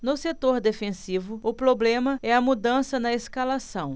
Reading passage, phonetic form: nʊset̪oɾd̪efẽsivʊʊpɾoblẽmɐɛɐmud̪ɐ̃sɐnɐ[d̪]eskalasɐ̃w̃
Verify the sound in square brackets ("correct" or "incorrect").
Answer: incorrect